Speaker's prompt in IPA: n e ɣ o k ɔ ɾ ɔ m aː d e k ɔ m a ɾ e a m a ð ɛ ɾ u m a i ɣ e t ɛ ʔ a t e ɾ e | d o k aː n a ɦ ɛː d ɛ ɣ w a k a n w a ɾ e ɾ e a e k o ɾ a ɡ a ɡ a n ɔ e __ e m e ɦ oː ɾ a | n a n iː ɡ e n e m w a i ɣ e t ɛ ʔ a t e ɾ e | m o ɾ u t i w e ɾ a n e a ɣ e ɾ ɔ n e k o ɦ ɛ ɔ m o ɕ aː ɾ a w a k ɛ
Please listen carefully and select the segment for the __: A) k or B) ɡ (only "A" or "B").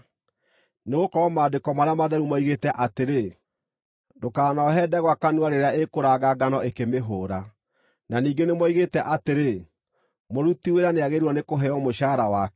A